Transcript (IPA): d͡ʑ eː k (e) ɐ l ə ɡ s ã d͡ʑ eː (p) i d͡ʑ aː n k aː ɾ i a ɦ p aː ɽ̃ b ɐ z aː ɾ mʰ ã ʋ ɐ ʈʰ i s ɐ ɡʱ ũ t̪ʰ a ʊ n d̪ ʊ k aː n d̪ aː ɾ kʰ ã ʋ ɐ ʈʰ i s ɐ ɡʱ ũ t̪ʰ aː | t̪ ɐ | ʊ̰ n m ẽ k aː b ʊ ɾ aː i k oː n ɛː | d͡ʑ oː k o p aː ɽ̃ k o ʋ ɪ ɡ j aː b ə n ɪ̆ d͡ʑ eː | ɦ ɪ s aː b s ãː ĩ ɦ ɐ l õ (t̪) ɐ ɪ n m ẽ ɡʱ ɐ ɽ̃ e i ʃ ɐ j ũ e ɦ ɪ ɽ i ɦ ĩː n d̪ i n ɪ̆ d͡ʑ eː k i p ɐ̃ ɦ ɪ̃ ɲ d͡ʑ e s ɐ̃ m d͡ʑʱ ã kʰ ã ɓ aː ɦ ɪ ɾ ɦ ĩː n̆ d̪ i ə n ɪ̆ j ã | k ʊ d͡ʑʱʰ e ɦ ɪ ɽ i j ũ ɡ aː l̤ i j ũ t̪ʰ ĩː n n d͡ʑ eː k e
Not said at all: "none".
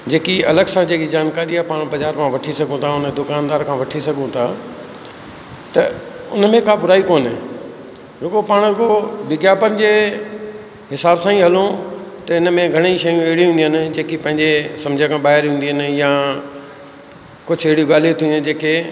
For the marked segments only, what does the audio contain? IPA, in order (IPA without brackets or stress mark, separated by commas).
i, k, t̪